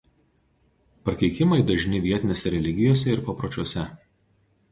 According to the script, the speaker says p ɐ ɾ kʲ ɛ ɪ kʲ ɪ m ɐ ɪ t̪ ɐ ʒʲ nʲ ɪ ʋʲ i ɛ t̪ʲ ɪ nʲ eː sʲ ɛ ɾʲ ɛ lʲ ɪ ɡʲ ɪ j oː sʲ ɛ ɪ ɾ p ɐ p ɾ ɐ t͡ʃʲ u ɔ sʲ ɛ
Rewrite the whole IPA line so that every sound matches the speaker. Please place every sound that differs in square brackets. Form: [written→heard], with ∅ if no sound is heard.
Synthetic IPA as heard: p ɐ ɾ kʲ ɛ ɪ kʲ ɪ m ɐ ɪ [t̪→d̪] ɐ ʒʲ nʲ ɪ ʋʲ i ɛ t̪ʲ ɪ nʲ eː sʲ ɛ ɾʲ ɛ lʲ ɪ ɡʲ ɪ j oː sʲ ɛ ɪ ɾ p ɐ p ɾ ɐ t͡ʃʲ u ɔ sʲ ɛ